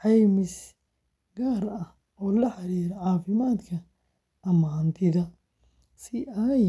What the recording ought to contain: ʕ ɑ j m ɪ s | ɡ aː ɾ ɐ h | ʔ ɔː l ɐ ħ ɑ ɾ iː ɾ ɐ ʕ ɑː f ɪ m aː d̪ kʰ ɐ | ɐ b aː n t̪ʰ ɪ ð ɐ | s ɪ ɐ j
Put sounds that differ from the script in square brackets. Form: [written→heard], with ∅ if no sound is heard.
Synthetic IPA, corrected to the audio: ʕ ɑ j m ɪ s | ɡ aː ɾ ɐ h | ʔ ɔː l ɐ ħ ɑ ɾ iː ɾ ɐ ʕ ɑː f ɪ m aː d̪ kʰ ɐ | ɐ [b→m] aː n t̪ʰ ɪ ð ɐ | s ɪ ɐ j